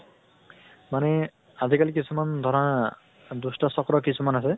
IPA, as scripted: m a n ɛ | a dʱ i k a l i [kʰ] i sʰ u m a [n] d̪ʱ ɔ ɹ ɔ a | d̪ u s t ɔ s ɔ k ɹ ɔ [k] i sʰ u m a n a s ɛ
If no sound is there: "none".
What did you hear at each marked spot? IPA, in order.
k, n, k

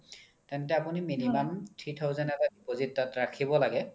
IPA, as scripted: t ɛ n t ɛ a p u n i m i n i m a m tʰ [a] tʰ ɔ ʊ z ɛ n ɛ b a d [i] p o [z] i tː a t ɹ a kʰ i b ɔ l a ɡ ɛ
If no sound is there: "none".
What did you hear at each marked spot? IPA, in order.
i, i, z

